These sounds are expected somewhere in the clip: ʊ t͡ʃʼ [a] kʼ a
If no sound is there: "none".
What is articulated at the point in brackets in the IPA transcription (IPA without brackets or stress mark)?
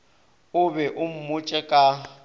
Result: ɛ